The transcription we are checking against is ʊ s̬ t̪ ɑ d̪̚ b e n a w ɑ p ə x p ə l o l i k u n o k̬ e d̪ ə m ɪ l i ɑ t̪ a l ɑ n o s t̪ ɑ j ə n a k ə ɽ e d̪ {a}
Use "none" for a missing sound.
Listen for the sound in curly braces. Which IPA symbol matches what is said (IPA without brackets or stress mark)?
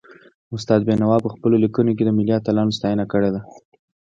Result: a